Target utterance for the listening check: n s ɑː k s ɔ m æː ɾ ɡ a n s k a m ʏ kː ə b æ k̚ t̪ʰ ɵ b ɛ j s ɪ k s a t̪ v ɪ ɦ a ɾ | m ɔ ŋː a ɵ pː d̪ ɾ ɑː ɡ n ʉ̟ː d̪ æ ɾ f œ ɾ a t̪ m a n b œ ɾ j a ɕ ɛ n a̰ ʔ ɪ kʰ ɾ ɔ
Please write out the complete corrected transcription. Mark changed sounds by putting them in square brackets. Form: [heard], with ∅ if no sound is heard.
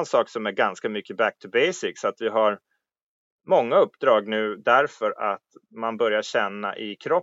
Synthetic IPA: n s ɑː k s ɔ m [æ] ɾ ɡ a n s k a m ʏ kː ə b æ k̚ t̪ʰ ɵ b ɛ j s ɪ k s a t̪ v ɪ ɦ a ɾ | m ɔ ŋː a ɵ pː d̪ ɾ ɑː ɡ n ʉ̟ː d̪ æ ɾ f œ ɾ a t̪ m a n b œ ɾ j a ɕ ɛ [nː] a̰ ʔ ɪ kʰ ɾ ɔ